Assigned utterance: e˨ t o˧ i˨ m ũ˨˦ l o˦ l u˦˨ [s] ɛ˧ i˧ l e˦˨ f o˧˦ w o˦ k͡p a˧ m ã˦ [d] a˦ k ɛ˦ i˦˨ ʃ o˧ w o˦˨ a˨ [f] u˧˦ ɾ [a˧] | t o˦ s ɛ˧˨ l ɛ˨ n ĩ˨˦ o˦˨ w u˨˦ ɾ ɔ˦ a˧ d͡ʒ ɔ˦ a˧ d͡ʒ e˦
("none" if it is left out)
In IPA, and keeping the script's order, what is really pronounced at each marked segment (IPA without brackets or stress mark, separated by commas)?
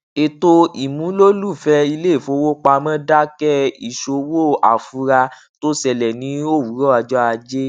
f, d, f, a˧